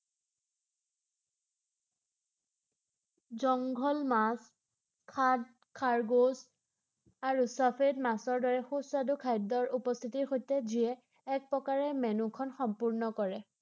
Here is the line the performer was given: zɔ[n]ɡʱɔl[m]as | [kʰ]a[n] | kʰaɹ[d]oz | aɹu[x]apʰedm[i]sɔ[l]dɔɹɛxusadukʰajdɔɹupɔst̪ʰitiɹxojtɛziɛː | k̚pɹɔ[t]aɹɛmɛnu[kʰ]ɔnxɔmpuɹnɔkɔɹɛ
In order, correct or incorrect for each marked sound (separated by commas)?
incorrect, correct, correct, incorrect, incorrect, incorrect, incorrect, incorrect, incorrect, correct